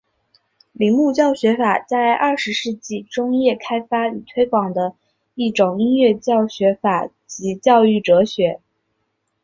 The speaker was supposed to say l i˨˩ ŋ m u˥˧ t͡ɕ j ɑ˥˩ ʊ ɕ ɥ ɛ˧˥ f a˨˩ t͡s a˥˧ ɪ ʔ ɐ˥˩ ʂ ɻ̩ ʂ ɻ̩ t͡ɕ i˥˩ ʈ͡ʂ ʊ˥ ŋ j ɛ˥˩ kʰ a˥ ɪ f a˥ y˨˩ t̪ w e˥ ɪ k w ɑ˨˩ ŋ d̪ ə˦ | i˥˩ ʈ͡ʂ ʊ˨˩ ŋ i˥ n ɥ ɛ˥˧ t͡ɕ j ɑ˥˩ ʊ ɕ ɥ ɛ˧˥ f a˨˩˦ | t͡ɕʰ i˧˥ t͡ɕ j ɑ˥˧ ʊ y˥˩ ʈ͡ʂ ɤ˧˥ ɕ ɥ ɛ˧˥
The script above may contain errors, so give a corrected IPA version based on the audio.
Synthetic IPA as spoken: l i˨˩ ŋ m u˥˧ t͡ɕ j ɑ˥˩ ʊ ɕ ɥ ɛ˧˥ f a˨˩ t͡s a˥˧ ɪ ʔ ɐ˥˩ ʂ ɻ̩ ʂ ɻ̩ t͡ɕ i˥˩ ʈ͡ʂ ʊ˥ ŋ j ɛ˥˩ kʰ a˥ ɪ f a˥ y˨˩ t̪ʰ w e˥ ɪ k w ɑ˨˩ ŋ d̪ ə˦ | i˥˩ ʈ͡ʂ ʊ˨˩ ŋ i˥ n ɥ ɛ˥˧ t͡ɕ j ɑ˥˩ ʊ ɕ ɥ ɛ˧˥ f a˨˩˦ | t͡ɕ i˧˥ t͡ɕ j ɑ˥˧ ʊ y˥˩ ʈ͡ʂ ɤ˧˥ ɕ ɥ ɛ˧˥